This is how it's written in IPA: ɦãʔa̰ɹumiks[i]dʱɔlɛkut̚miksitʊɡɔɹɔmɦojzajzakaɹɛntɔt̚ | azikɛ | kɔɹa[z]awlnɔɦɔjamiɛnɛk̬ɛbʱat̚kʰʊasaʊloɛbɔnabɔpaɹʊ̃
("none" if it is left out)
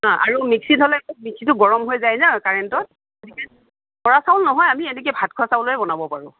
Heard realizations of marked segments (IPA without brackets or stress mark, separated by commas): i, s